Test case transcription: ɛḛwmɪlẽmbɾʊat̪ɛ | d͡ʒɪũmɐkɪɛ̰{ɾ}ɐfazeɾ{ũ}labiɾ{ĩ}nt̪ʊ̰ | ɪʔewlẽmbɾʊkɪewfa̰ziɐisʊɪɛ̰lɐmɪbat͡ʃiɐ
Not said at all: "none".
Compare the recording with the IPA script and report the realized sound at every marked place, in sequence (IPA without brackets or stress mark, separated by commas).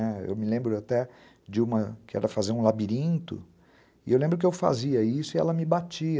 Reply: ɾ, ũ, ĩ